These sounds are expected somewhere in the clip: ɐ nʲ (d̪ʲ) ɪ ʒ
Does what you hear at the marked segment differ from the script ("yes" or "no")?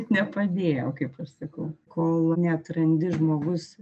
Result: no